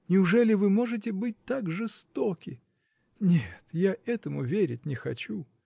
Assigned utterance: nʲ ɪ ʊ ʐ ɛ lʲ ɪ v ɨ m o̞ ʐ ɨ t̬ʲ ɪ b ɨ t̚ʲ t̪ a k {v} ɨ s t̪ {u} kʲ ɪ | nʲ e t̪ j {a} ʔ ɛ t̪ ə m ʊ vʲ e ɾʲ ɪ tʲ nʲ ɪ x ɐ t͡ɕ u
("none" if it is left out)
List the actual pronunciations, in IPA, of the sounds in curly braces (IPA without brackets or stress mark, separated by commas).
ʐ, o, a